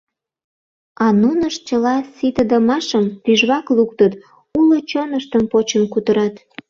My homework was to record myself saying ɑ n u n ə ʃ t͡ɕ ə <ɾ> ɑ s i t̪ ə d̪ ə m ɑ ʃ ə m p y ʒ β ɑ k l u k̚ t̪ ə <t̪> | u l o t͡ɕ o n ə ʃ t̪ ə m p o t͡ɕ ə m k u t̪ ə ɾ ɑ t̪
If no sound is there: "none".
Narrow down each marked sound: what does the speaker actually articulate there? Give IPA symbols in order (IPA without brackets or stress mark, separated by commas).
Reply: l, t̪